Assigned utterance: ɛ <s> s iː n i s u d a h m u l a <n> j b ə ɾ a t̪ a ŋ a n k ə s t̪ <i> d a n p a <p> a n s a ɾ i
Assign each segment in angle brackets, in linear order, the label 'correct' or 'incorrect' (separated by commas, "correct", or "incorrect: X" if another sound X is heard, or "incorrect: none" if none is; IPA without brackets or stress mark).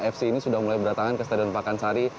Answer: incorrect: f, incorrect: none, incorrect: a, incorrect: k